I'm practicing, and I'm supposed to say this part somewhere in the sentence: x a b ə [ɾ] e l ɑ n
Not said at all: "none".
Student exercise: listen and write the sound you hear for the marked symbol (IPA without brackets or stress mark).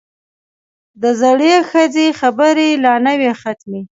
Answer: ɾ